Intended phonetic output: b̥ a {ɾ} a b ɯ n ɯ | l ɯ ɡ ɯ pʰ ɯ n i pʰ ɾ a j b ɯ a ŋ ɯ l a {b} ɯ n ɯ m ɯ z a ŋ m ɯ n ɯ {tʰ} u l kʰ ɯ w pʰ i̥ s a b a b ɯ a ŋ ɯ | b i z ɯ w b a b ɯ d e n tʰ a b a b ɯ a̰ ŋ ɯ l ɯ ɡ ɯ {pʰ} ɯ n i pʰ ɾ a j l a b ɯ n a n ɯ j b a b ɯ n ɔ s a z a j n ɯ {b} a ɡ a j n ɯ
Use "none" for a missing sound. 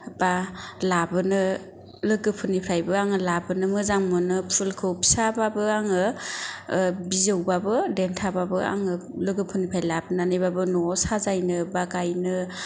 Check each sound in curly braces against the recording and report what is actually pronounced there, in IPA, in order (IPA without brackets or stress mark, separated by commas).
l, b, pʰ, pʰ, b